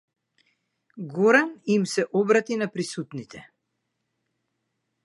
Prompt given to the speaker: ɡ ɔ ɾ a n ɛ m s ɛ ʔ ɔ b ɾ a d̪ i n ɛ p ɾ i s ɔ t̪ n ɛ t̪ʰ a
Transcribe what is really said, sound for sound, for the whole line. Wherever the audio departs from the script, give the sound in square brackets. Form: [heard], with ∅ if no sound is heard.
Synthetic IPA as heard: ɡ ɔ ɾ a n [i] m s ɛ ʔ ɔ b ɾ a [t̪] i n [a] p ɾ i s [u] t̪ n [i] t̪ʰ [ɛ]